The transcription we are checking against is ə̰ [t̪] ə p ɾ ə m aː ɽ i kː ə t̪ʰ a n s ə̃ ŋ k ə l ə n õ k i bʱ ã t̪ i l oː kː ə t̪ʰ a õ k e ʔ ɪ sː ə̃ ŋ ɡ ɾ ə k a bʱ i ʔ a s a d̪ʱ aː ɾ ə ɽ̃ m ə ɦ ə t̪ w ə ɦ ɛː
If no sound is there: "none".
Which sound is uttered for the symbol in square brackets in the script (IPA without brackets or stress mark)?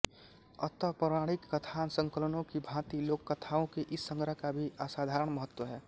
t̪